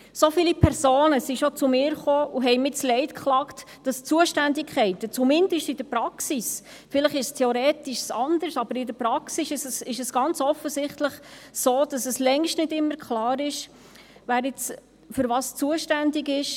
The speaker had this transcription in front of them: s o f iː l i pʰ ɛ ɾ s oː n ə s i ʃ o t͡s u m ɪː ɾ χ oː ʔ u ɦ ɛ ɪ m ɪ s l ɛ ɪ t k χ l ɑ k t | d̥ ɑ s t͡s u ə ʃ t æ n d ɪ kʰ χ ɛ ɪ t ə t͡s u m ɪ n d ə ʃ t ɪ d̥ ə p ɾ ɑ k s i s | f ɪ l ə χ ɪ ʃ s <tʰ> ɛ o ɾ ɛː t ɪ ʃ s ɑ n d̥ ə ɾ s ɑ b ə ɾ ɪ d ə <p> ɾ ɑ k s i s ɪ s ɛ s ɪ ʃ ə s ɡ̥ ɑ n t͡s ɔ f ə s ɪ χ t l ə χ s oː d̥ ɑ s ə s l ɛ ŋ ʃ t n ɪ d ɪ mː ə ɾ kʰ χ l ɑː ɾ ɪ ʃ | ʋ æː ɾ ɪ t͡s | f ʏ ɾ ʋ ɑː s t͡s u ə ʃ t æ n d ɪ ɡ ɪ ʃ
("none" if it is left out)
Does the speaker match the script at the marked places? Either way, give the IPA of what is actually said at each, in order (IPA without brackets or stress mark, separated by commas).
tʰ, p